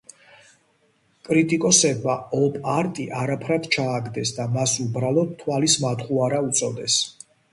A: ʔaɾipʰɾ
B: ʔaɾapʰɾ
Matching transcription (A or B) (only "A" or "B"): B